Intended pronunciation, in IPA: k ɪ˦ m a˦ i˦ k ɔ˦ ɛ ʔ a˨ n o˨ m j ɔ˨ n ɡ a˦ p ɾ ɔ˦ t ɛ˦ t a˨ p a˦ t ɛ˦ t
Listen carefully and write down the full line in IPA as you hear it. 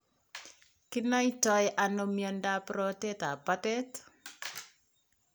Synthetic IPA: k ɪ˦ n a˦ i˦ t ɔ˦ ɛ ʔ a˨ n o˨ m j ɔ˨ n d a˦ p ɾ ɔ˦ t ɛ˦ t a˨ p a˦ t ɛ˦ t